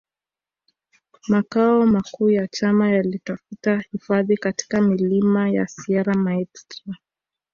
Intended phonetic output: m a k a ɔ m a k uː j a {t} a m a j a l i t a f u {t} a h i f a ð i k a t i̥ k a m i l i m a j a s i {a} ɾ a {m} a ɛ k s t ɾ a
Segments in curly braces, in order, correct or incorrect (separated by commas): incorrect, correct, correct, correct